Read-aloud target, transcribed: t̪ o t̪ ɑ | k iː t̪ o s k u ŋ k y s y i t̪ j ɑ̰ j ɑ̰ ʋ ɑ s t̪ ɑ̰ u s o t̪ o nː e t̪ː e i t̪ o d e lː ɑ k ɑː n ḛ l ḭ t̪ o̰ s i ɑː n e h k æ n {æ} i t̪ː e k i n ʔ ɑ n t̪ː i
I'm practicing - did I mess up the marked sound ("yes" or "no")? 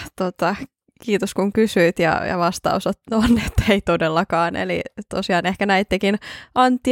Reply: no